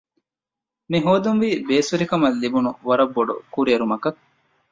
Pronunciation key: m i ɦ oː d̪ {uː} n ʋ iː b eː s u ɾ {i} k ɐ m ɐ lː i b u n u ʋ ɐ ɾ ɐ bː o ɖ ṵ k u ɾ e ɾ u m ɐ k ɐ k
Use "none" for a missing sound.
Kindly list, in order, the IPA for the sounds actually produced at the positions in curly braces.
u, i

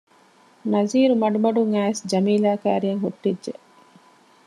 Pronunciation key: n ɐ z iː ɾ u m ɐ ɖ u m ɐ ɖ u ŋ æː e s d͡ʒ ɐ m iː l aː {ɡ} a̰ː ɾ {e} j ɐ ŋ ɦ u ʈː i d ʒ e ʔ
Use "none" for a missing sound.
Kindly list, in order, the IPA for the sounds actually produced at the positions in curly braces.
k, i

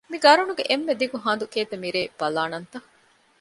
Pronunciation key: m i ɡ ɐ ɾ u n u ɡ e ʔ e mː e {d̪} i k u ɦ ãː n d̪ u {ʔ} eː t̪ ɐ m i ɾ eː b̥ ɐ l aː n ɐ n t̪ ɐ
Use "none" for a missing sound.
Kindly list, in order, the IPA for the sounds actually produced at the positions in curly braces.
d̪, k

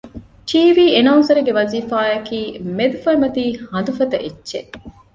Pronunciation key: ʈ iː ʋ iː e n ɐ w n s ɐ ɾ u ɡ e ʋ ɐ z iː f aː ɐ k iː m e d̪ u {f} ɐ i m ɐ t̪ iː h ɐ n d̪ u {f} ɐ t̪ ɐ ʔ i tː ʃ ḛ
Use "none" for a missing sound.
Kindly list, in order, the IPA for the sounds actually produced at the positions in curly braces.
f, f

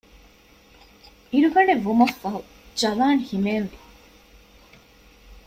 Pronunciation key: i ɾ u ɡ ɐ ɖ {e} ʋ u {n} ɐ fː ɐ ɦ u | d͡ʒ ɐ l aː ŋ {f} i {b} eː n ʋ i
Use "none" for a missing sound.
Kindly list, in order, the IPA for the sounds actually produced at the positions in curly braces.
e, m, h, m

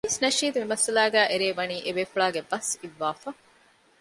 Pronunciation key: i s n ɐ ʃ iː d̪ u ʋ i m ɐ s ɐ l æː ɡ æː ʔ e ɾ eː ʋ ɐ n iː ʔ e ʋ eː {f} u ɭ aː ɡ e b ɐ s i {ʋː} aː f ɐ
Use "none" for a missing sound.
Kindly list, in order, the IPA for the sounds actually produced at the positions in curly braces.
f, ʋː

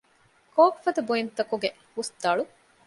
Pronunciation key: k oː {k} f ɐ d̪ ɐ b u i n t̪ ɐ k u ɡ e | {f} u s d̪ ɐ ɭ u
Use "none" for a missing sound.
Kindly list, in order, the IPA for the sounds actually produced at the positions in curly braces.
k, h

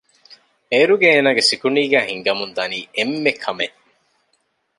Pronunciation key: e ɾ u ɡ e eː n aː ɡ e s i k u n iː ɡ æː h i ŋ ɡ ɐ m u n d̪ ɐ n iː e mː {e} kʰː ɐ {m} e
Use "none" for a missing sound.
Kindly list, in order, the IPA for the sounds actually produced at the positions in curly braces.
e, m

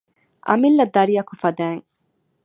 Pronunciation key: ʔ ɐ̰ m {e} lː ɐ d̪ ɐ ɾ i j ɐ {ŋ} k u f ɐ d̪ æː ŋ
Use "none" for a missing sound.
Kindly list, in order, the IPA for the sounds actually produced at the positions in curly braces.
i, none

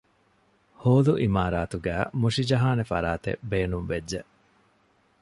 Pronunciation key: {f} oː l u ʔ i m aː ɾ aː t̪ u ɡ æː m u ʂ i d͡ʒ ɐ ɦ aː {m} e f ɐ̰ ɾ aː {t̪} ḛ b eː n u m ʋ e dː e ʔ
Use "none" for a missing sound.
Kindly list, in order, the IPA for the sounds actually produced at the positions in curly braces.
h, n, t̪

